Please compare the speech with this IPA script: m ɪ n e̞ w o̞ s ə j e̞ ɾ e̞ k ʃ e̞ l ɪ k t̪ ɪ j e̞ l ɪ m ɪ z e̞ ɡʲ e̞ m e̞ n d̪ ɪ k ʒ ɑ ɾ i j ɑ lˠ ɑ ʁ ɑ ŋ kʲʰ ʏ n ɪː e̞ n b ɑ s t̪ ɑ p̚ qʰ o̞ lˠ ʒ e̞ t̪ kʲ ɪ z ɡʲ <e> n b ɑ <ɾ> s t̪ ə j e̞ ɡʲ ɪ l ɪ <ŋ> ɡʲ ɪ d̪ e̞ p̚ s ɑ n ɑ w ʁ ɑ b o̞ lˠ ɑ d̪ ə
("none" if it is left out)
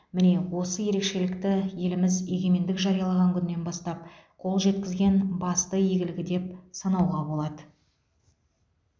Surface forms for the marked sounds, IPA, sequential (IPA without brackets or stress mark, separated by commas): e, none, none